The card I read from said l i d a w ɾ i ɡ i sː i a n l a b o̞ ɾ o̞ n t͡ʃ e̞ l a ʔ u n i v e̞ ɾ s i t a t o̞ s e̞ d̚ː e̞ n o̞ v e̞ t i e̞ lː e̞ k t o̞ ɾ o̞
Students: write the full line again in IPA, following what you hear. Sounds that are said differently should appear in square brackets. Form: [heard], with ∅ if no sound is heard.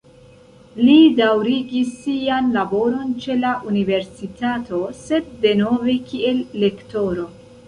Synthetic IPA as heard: l i d a w ɾ i ɡ i sː i a n l a b o̞ ɾ o̞ n t͡ʃ e̞ l a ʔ u n i v e̞ ɾ s i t a t o̞ s e̞ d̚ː e̞ n o̞ v e̞ [k] i e̞ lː e̞ k t o̞ ɾ o̞